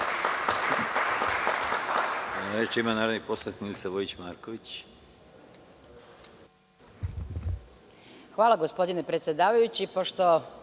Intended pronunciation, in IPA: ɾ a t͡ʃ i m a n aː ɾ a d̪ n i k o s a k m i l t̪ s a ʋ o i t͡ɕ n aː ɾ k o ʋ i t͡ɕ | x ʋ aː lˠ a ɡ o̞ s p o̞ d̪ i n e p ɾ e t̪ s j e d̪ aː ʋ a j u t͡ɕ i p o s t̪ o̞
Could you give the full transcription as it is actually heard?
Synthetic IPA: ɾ e t͡ʃ i m a n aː ɾ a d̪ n i p o s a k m i l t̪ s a ʋ o i t͡ɕ m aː ɾ k o ʋ i t͡ɕ | x ʋ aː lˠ a ɡ o̞ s p o̞ d̪ i n e p ɾ e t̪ s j e d̪ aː ʋ a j u t͡ɕ i p o ʃ t̪ o̞